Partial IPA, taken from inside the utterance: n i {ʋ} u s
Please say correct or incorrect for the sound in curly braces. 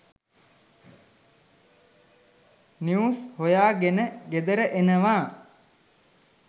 incorrect